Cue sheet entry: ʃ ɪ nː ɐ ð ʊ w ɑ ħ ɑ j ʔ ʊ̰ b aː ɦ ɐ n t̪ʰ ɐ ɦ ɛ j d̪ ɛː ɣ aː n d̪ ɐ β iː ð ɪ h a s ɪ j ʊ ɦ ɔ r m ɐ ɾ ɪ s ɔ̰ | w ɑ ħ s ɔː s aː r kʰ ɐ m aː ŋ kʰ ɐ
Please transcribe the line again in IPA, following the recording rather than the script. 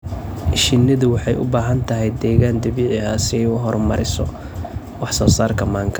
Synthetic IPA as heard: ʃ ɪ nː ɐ ð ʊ w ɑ ħ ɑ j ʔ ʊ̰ b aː ɦ ɐ n t̪ʰ ɐ ɦ ɛ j d̪ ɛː ɣ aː n d̪ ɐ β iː ʕ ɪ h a s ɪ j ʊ ɦ ɔ r m ɐ ɾ ɪ s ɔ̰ | w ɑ ħ s ɔː s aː r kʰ ɐ m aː ŋ kʰ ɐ